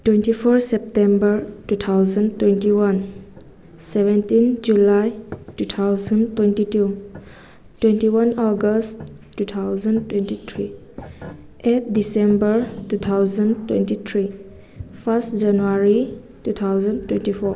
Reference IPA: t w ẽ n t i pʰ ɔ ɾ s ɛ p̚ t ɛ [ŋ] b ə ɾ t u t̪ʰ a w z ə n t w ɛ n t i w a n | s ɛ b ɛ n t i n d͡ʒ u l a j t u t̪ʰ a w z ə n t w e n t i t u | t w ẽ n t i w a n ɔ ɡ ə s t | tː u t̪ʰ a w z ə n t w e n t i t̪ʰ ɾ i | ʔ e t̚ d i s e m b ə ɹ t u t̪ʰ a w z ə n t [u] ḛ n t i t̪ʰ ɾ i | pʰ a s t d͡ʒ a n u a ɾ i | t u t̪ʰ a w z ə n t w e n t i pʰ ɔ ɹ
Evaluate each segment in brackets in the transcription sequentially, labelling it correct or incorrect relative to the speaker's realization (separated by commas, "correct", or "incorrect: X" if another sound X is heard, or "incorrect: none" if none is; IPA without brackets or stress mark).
incorrect: m, incorrect: w